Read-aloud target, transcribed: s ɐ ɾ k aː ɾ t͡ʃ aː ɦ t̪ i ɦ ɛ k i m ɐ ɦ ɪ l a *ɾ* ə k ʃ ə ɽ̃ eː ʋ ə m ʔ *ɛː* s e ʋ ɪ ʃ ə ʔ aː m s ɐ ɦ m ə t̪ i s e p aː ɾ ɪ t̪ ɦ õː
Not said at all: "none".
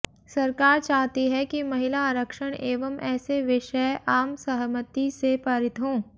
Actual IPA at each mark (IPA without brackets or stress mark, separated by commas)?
ɾ, ɛː